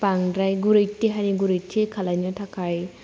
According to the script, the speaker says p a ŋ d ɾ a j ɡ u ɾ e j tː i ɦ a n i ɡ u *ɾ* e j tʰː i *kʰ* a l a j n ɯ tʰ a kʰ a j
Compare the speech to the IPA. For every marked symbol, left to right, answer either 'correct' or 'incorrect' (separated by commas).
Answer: correct, correct